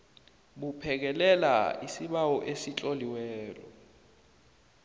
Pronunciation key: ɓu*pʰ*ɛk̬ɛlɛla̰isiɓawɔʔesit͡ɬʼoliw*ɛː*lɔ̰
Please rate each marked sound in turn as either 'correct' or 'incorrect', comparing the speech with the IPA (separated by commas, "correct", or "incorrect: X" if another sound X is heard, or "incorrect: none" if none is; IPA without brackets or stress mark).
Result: correct, correct